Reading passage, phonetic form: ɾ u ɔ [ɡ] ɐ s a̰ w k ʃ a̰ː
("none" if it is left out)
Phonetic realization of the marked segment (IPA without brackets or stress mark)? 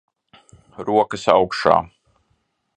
k